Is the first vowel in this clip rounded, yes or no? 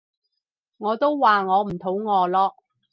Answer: yes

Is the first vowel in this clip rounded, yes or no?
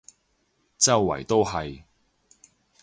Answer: no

